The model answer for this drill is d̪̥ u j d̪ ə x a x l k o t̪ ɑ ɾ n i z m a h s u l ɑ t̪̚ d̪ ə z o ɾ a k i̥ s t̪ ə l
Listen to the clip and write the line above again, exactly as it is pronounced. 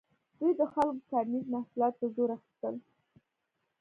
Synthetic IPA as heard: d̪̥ u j d̪ ə x a l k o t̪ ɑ ɾ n i z m a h s u l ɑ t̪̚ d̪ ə z o ɾ a x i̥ s t̪ ə l